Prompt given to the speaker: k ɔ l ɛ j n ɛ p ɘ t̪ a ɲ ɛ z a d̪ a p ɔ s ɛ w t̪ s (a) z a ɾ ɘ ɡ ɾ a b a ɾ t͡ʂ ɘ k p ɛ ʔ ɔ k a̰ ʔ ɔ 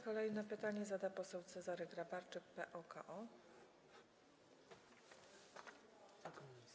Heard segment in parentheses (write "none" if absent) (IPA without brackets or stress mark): ɛ